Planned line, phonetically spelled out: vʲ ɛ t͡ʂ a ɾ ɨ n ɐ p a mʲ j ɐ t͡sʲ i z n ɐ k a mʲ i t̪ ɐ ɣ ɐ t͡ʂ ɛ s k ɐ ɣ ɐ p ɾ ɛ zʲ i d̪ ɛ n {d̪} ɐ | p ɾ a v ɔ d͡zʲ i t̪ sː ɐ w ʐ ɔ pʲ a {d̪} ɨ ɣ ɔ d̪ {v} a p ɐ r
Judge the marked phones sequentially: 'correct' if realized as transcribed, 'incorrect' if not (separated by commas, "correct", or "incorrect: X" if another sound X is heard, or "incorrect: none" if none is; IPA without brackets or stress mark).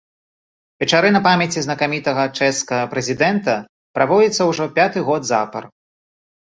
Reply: incorrect: t̪, incorrect: t̪, incorrect: z